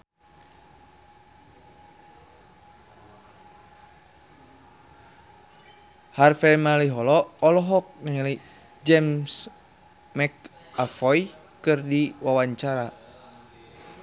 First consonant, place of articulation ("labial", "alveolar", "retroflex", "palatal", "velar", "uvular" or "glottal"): glottal